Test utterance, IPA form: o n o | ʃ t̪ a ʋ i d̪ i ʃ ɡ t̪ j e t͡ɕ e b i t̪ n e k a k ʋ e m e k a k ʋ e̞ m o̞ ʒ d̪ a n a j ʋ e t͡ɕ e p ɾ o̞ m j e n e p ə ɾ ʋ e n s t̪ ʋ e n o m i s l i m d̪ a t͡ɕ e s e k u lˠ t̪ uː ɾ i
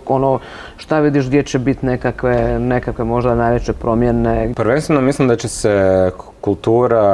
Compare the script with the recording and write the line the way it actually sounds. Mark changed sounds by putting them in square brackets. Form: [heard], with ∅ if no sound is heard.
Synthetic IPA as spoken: o n o | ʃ t̪ a ʋ i d̪ i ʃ ɡ [d̪] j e t͡ɕ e b i t̪ n e k a k ʋ e [n] e k a k ʋ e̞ m o̞ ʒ d̪ a n a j ʋ e t͡ɕ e p ɾ o̞ m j e n e p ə ɾ ʋ e n s t̪ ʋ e n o m i s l i m d̪ a t͡ɕ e s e k u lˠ t̪ uː ɾ [a]